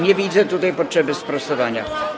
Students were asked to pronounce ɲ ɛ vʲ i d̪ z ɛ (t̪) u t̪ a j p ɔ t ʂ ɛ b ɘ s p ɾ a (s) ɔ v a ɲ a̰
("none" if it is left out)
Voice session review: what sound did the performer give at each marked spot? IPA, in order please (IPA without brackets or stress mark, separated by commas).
t̪, s